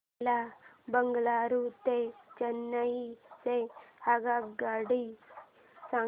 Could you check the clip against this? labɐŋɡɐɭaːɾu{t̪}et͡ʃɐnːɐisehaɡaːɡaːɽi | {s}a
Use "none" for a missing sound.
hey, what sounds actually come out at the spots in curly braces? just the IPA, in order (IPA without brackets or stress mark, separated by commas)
t̪, s